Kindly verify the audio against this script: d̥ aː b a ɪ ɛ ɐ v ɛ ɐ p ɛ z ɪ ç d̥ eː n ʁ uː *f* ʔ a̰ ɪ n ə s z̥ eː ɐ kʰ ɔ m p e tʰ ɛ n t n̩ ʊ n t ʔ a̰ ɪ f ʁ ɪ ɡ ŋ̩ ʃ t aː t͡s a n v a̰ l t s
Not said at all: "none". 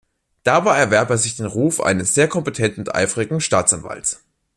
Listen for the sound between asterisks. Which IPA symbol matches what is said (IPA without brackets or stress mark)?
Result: f